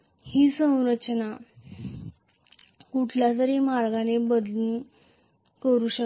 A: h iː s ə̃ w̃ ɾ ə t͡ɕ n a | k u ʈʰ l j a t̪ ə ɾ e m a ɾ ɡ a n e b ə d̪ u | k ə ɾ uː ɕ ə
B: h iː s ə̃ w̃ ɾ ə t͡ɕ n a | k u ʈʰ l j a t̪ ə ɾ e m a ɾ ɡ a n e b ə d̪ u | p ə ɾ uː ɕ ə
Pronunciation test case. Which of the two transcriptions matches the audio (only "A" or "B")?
A